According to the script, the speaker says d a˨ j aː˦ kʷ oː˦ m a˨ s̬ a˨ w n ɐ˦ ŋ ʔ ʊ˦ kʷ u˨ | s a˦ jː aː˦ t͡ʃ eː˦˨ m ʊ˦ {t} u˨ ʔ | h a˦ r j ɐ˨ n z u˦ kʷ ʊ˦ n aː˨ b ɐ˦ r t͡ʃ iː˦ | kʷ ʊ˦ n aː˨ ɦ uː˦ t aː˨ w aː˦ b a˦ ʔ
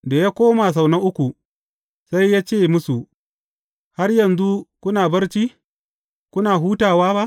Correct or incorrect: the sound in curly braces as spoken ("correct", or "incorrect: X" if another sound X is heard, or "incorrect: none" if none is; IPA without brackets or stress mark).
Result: incorrect: s